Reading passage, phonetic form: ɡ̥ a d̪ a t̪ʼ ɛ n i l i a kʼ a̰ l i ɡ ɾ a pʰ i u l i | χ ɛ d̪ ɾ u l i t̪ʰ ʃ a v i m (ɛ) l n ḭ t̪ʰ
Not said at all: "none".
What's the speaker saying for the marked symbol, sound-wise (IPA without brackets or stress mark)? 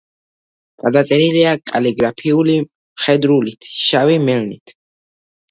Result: ɛ